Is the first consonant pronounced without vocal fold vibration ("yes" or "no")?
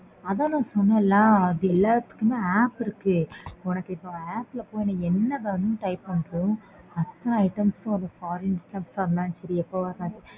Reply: no